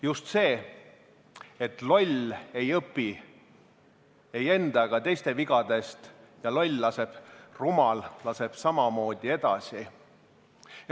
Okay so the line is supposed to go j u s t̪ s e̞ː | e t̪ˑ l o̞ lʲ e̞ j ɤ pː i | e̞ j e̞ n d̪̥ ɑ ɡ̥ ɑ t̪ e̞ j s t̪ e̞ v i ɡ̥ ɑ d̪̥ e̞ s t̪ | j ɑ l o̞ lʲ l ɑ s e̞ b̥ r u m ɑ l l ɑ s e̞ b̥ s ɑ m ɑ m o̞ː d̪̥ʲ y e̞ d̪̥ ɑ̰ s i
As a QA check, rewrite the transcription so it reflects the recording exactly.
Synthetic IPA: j u s t̪ s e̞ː | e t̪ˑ l o̞ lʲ e̞ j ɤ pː i | e̞ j e̞ n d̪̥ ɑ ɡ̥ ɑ t̪ e̞ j s t̪ e̞ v i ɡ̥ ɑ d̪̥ e̞ s t̪ | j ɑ l o̞ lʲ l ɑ s e̞ b̥ r u m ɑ l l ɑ s e̞ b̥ s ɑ m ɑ m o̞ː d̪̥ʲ i e̞ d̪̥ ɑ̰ s i